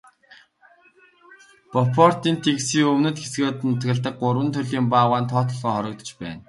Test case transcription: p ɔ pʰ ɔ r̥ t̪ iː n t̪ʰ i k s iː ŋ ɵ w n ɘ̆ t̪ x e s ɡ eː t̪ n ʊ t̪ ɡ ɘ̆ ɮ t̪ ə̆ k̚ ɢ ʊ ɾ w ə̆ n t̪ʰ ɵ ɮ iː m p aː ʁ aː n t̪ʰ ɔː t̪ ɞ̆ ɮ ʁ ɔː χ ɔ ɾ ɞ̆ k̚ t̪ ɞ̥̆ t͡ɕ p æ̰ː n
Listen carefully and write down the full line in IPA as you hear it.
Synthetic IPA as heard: p ɔ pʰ ɔ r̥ t̪ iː n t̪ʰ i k s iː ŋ ɵ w n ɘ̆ t̪ x e s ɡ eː t̪ n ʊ t̪ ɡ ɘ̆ ɮ t̪ ə̆ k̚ ɢ ʊ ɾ w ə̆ n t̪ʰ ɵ ɮ iː m p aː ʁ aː n t̪ʰ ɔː t̪ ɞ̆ ɮ ʁ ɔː χ ɔ ɾ ɞ̆ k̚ t̪ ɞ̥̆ t͡ɕ p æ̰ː n

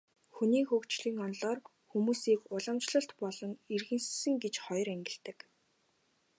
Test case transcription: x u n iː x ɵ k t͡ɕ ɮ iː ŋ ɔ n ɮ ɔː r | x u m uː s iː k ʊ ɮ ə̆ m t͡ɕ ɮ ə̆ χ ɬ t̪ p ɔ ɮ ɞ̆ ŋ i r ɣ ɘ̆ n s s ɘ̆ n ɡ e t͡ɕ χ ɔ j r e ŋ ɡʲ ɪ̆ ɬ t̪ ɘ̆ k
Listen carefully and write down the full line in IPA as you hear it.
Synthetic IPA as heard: x u n iː x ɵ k t͡ɕ ɮ iː ŋ ɔ n ɮ ɔː r | x u m uː s iː k ʊ ɮ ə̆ m t͡ɕ ɮ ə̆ ɬ t̪ p ɔ ɮ ɞ̆ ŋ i r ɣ ɘ̆ n s s ɘ̆ ŋ ɡ e t͡ɕ χ ɔ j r æ ŋ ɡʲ ɪ̆ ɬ t̪ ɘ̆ k

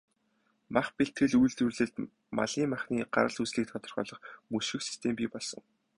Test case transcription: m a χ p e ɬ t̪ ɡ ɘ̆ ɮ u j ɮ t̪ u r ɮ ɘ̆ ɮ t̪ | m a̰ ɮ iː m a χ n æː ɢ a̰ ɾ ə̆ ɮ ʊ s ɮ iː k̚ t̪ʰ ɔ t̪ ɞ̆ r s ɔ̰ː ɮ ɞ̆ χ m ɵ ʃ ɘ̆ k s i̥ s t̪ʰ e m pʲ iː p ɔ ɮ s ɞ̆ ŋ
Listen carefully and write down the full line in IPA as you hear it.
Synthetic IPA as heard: m a χ p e ɬ t̪ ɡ ɘ̆ ɮ u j ɮ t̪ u r ɮ ɘ̆ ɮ t̪ | m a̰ ɮ iː m a χ n iː ɢ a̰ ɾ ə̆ ɮ u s ɮ iː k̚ t̪ʰ ɔ t̪ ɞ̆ r χ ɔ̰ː ɮ ɞ̆ χ m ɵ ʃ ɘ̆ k s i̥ s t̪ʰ e m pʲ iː p ɔ ɮ s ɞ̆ ŋ

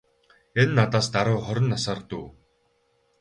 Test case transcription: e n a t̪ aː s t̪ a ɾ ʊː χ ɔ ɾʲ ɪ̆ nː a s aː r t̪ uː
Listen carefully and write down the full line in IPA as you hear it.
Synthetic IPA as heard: e nː a t̪ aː s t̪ a ɾ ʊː χ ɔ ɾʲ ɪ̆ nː a s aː r t̪ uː

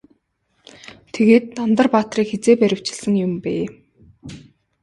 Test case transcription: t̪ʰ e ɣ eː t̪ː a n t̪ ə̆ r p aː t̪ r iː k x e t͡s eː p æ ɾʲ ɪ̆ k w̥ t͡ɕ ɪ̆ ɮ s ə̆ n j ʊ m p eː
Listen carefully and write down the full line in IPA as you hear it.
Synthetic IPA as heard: t̪ʰ e ɣ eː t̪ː a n t̪ ə̆ r p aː t̪ r iː k x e t͡s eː p æ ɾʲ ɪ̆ w̥ t͡ɕ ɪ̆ ɮ s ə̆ ŋ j ʊ m p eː

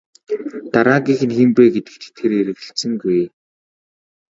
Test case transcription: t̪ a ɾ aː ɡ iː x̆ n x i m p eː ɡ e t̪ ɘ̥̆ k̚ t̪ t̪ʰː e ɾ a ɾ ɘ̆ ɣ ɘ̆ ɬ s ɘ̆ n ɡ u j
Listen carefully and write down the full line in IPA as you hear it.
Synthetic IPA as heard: t̪ a ɾ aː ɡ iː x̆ n x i m p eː ɡ e t̪ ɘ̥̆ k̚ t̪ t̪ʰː e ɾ e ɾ ɘ̆ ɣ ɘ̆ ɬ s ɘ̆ ŋ ɡ u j

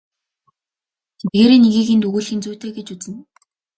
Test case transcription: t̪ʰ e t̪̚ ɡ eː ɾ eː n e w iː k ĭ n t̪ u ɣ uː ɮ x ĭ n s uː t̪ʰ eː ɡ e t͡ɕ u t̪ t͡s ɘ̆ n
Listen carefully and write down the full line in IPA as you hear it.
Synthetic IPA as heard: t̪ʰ e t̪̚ ɡ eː ɾ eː n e ɣ iː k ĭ n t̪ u ɣ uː ɮ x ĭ n t͡s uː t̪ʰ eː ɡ e t͡ɕ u t͡s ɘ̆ n

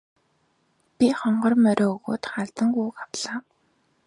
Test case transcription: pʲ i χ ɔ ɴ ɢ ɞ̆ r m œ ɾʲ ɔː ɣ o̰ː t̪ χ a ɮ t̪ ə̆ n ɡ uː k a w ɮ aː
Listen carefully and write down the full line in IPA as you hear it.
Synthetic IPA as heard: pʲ i χ ɔ ɴ ɢ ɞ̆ r m œ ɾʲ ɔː ɣ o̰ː t̪ χ a ɮ t̪ ə̆ ŋ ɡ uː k a w ɮ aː

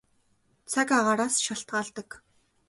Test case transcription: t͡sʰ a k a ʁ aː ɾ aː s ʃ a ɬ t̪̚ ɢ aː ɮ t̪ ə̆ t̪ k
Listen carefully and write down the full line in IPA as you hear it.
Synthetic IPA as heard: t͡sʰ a k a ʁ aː ɾ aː s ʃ a ɬ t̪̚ ɢ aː ɮ t̪ ə̆ k

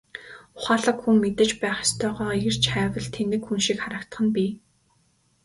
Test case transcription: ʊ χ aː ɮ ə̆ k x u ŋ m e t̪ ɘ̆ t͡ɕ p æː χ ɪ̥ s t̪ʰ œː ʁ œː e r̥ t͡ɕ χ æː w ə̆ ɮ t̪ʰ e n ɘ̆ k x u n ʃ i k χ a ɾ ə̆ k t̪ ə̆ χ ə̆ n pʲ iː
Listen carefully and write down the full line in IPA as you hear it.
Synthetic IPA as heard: ʊ χ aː ɮ ə̆ k x u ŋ m e t̪ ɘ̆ t͡ɕ p æː χ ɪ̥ s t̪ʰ œː ʁ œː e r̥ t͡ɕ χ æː w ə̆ ɮ t̪ʰ e n ɘ̆ k x u n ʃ i k χ a ɾ ə̆ k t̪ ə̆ χ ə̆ n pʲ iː

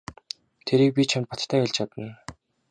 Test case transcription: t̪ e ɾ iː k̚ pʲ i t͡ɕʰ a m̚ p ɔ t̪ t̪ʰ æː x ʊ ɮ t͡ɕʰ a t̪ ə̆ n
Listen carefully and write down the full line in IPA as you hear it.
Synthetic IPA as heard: t̪ʰ e ɾ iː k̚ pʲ i t͡ɕʰ a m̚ p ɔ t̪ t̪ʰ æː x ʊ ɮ t͡ɕʰ a t̪ ə̆ n

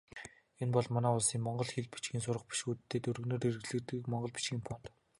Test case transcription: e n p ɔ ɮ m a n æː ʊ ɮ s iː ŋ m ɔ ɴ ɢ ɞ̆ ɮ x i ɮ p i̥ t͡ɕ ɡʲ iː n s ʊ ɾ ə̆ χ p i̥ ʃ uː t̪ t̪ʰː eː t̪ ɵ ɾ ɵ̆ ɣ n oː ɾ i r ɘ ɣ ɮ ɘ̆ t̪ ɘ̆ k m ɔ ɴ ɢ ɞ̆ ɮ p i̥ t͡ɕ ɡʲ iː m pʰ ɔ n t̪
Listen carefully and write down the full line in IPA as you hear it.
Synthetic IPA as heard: e n p ɔ ɮ m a n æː ʊ ɮ s iː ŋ m ɔ ɴ ɢ ɞ̆ ɮ x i ɮ p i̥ t͡ɕ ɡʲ iː n s ʊ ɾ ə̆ χ p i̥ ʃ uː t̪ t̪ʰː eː t̪ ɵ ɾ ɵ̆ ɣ n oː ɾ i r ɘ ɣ ɮ ɘ̆ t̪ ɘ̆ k m ɔ ɴ ɢ ɞ̆ ɮ p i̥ t͡ɕ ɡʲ iː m pʰ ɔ n t̪

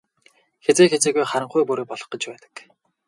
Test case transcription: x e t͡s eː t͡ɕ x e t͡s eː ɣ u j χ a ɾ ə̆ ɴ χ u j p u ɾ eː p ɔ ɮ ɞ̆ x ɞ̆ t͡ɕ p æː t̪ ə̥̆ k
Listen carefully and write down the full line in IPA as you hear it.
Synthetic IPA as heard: x e t͡s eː x e t͡s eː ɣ u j χ a ɾ ə̆ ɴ χ u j p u ɾ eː p ɔ ɮ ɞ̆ χ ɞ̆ t͡ɕ p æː t̪ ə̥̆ k

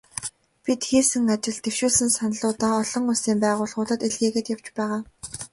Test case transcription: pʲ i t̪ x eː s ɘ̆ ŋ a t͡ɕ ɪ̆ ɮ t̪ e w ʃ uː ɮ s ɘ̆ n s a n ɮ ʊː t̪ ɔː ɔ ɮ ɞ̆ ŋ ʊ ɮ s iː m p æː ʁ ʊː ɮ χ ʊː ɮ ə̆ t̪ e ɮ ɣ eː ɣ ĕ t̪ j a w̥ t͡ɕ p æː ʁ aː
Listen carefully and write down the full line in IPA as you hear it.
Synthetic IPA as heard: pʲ i t̪ x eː s ɘ̆ ŋ a t͡ɕ ɪ̆ ɮ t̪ e w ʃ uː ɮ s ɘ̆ n s a n ɮ ʊː t̪ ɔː ɔ ɮ ɞ̆ ŋ ʊ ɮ s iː m p æː ʁ ʊː ɮ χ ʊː ɮ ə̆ t̪ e ɮ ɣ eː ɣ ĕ t̪ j a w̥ t͡ɕ p æː ʁ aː

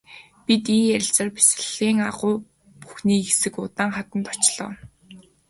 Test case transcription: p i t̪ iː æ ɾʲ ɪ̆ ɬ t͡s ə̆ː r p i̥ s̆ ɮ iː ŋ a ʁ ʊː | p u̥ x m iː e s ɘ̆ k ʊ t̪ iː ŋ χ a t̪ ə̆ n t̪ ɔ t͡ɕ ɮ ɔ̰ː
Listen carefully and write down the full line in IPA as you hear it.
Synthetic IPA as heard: p i t̪ iː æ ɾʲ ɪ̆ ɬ t͡s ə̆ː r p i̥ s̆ ɮ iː ŋ a ʁ ʊː | p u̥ x n iː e s ɘ̆ k ʊ t̪ aː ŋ χ a t̪ ə̆ n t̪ ɔ t͡ɕ ɮ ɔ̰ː

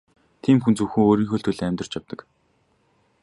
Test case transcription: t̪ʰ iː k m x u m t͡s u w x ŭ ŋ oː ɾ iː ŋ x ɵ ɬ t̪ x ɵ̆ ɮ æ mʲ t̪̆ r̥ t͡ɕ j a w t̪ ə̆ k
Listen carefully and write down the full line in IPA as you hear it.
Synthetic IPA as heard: t̪ʰ iː m x u n t͡s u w x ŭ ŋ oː ɾ iː ŋ x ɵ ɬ t̪ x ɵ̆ ɮ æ mʲ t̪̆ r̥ t͡ɕ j a w t̪ ə̆ k

